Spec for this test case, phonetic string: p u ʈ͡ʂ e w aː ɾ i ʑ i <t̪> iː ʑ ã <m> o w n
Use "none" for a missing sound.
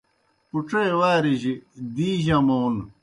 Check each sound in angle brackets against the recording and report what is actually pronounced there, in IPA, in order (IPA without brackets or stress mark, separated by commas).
d̪, m